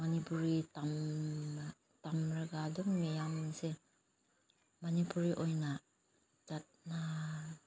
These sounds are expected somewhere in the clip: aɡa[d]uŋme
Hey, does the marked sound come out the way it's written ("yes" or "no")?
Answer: yes